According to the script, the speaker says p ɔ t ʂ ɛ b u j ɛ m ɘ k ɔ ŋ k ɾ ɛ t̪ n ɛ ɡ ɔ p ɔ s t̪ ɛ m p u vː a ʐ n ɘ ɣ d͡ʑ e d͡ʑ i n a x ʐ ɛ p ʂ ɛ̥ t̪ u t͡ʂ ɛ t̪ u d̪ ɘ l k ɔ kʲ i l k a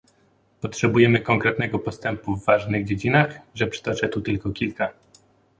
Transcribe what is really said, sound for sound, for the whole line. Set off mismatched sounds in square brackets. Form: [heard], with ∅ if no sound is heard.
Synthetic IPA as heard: p ɔ t ʂ ɛ b u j ɛ m ɘ k ɔ ŋ k ɾ ɛ t̪ n ɛ ɡ ɔ p ɔ s t̪ ɛ m p u vː a ʐ n ɘ ɣ d͡ʑ e d͡ʑ i n a x ʐ ɛ p ʂ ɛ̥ t̪ [ɔ] t͡ʂ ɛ t̪ u [t̪] ɘ l k ɔ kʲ i l k a